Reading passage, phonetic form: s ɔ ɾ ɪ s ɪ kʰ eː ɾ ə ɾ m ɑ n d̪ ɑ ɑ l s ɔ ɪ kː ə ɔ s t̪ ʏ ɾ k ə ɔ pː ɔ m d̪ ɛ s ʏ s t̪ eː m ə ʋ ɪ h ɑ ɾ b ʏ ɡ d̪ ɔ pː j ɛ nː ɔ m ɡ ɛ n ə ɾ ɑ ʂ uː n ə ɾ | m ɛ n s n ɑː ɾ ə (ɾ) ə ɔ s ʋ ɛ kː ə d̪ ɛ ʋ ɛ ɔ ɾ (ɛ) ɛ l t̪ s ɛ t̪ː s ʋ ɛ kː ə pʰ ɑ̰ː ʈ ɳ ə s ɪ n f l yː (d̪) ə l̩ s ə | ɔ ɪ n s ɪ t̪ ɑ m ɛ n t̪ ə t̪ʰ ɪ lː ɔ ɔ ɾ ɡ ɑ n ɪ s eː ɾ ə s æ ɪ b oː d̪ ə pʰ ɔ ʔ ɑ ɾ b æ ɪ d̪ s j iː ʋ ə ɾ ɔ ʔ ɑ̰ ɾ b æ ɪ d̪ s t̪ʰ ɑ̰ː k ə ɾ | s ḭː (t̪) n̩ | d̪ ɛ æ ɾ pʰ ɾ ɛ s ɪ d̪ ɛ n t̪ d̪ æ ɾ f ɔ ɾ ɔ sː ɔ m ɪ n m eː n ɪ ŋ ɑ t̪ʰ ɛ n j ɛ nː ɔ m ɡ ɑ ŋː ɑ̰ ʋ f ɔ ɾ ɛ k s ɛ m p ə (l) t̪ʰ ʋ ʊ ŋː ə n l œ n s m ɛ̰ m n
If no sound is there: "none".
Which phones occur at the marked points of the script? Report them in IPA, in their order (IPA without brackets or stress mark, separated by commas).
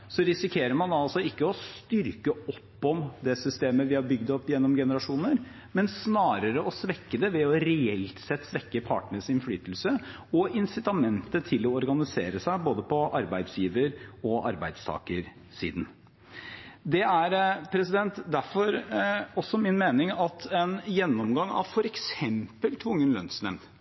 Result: ɾ, ɛ, t̪, d̪, l